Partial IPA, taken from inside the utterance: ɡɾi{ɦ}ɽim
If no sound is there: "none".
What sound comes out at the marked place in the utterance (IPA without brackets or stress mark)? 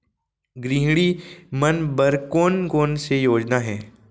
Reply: ɦ